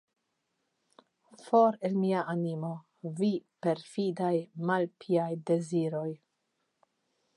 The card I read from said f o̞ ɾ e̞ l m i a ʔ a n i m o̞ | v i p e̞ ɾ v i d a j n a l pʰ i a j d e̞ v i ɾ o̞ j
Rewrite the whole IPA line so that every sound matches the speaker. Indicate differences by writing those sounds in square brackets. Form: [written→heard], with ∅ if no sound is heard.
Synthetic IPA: f o̞ ɾ e̞ l m i a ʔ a n i m o̞ | v i p e̞ ɾ [v→f] i d a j [n→m] a l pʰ i a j d e̞ [v→z] i ɾ o̞ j

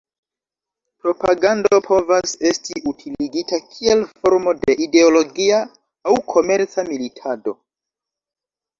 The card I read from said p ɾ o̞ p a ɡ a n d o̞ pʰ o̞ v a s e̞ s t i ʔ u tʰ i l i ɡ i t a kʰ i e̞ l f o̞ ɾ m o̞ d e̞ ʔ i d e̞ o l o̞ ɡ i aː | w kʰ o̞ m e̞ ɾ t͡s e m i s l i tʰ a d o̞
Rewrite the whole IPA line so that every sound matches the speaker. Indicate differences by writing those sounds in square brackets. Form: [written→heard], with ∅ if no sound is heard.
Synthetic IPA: p ɾ o̞ p a ɡ a n d o̞ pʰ o̞ v a s e̞ s t i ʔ u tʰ i l i ɡ i t a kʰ i e̞ l f o̞ ɾ m o̞ d e̞ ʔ i d e̞ o l o̞ ɡ i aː | w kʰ o̞ m e̞ ɾ t͡s [e→a] m i [s→∅] l i tʰ a d o̞

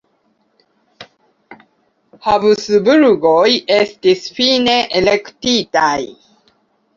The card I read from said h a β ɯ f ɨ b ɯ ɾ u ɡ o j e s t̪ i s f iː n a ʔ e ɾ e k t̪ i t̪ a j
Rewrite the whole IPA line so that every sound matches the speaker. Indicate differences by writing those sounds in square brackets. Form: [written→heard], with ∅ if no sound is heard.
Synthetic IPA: h a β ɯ [f→s] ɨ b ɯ ɾ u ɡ o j e s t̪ i s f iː n [a→e] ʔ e [ɾ→l] e k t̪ i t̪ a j

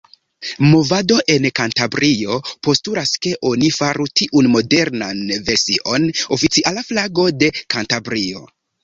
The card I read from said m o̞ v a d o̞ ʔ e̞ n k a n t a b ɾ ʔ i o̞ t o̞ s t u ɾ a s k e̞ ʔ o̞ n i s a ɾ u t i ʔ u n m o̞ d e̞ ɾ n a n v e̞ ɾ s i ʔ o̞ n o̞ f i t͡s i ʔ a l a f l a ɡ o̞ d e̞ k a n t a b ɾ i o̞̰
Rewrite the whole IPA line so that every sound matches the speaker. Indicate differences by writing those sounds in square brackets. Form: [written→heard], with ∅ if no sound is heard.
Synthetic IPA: m o̞ v a d o̞ ʔ e̞ n k a n t a b ɾ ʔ i o̞ [t→p] o̞ s t u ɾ a s k e̞ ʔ o̞ n i [s→f] a ɾ u t i ʔ u n m o̞ d e̞ ɾ n a n v e̞ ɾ s i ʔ o̞ n o̞ f i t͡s i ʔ a l a f l a ɡ o̞ d e̞ k a n t a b ɾ i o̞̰

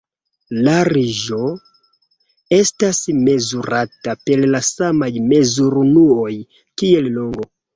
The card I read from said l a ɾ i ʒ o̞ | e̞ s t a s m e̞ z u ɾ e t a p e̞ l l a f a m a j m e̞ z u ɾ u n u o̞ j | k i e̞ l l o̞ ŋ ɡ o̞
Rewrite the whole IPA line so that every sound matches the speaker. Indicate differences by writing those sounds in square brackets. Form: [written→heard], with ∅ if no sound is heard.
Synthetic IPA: l a ɾ i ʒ o̞ | e̞ s t a s m e̞ z u ɾ [e→a] t a p e̞ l l a [f→s] a m a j m e̞ z u ɾ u n u o̞ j | k i e̞ l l o̞ ŋ ɡ o̞

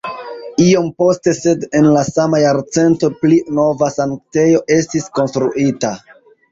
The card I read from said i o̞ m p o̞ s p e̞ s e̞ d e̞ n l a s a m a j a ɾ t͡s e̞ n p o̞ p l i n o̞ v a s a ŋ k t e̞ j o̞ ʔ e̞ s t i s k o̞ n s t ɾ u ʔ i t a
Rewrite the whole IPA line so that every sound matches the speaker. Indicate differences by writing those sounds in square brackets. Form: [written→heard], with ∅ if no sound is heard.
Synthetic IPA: i o̞ m p o̞ s [p→t] e̞ s e̞ d e̞ n l a s a m a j a ɾ t͡s e̞ n [p→t] o̞ p l i n o̞ v a s a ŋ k t e̞ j o̞ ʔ e̞ s t i s k o̞ n s t ɾ u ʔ i t a

